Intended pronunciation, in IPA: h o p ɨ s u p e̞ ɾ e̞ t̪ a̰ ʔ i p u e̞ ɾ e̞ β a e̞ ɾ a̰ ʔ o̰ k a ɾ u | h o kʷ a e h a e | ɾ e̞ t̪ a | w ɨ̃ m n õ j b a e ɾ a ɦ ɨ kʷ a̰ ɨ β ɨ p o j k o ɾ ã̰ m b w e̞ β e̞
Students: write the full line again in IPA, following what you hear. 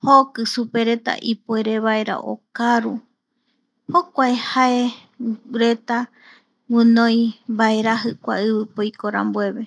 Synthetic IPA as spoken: h o k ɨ s u p e̞ ɾ e̞ t̪ a̰ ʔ i p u e̞ ɾ e̞ β a e̞ ɾ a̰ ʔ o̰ k a ɾ u | h o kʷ a e h a e | ɾ e̞ t̪ a | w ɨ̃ n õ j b a e ɾ a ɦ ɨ kʷ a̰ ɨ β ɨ p o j k o ɾ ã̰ m b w e̞ β e̞